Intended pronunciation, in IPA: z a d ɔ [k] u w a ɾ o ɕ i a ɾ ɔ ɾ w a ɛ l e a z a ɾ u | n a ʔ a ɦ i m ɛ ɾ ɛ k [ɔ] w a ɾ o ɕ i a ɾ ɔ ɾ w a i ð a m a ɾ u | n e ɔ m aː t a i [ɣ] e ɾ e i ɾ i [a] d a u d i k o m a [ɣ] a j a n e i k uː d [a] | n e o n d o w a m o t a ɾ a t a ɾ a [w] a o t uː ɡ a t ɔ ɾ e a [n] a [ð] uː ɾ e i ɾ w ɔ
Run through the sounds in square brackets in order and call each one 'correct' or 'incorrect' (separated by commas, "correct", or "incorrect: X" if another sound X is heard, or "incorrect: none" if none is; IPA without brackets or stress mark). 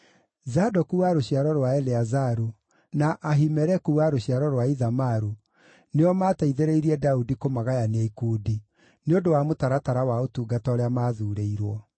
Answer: correct, incorrect: u, incorrect: ð, incorrect: ɛ, correct, incorrect: i, correct, incorrect: m, correct